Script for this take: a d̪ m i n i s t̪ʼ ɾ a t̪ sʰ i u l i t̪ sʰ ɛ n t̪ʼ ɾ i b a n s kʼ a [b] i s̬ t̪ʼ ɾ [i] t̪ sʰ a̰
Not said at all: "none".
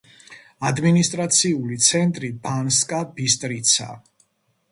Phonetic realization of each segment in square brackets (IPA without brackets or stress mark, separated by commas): b, i